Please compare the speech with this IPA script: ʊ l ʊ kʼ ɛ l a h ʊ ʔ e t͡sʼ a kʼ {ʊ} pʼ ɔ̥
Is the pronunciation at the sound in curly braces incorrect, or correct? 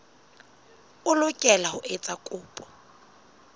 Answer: incorrect